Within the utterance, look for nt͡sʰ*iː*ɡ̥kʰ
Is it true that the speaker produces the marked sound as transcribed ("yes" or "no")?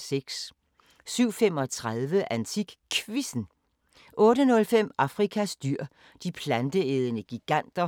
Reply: no